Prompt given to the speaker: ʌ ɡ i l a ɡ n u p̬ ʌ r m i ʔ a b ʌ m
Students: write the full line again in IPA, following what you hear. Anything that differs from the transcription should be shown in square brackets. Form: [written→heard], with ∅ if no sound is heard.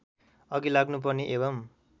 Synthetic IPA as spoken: ʌ ɡ i l a ɡ n u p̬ ʌ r [m→n] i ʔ [a→e] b ʌ m

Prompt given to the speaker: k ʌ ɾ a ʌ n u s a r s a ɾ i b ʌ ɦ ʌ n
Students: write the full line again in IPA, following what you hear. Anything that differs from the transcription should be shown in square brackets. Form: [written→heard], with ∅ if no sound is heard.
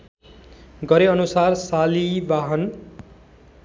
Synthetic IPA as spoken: [k→ɡ] ʌ ɾ [a→e] ʌ n u s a r s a [ɾ→l] i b [ʌ→a] ɦ ʌ n

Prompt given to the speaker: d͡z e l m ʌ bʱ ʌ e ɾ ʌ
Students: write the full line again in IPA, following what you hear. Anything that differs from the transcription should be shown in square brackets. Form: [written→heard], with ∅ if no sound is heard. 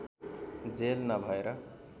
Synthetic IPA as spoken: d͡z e l [m→n] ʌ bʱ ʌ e ɾ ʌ

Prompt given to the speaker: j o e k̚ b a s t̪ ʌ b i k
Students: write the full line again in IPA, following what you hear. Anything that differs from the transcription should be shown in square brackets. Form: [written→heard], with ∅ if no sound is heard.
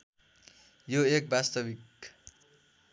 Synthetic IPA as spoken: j o e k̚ b a s t̪ ʌ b i k

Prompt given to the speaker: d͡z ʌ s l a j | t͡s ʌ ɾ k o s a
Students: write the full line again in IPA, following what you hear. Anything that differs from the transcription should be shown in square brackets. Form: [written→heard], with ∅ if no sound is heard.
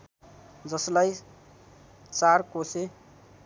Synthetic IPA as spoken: d͡z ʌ s l a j | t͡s [ʌ→a] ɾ k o s [a→e]

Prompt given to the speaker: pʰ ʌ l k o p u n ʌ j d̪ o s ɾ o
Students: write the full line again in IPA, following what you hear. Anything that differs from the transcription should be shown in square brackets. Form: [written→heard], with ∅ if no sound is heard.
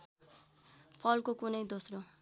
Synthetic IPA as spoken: pʰ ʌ l k o [p→k] u n ʌ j d̪ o s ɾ o

